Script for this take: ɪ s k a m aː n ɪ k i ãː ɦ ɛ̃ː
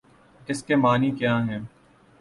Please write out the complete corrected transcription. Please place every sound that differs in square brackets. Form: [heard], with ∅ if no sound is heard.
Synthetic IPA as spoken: ɪ s k [e] m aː n [i] k [j] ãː ɦ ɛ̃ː